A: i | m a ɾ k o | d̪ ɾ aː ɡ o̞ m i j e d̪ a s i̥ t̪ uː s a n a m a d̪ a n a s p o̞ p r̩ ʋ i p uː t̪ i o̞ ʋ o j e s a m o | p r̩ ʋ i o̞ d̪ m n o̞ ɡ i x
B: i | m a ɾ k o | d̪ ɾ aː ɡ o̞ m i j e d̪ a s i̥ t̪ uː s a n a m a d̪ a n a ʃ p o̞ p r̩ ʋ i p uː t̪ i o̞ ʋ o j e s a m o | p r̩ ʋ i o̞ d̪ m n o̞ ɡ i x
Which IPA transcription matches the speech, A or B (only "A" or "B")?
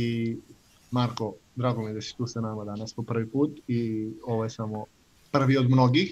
A